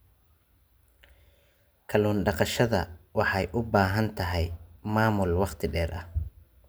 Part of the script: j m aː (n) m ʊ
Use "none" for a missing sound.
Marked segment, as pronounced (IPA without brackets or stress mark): none